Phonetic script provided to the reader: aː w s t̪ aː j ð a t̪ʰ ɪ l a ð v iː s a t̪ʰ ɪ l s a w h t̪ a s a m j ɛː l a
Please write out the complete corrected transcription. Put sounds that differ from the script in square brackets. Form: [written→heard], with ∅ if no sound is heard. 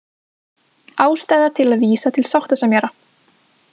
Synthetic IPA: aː w s t̪ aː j ð a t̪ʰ ɪ l a ð v iː s a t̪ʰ ɪ l s a w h t̪ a s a m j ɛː [l→ɾ] a